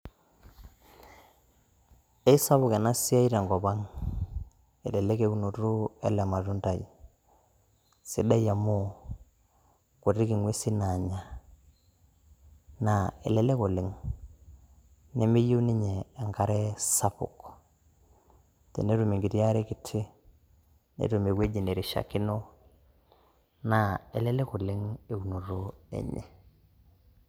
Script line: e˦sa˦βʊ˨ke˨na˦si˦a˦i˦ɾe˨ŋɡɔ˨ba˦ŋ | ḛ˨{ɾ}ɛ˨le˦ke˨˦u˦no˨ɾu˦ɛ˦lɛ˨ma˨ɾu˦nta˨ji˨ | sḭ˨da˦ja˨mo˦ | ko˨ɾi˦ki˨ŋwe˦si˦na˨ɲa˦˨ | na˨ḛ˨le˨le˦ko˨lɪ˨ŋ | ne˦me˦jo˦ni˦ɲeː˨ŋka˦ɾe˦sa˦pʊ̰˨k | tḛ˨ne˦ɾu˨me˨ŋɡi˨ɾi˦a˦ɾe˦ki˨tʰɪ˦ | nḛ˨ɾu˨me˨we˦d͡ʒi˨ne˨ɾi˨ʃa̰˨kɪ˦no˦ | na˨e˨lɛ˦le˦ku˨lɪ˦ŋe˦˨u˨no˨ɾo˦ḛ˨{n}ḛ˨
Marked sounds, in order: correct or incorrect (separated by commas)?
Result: incorrect, incorrect